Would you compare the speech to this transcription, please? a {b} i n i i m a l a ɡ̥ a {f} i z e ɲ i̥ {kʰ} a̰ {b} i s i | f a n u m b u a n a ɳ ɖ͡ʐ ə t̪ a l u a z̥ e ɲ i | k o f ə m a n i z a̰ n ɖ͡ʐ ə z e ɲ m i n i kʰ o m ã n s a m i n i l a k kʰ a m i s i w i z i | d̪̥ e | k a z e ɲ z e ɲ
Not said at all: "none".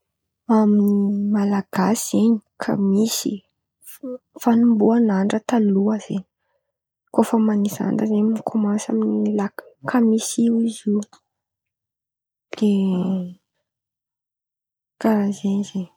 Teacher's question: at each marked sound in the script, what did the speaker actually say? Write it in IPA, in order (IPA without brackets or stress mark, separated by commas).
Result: m, s, kʰ, m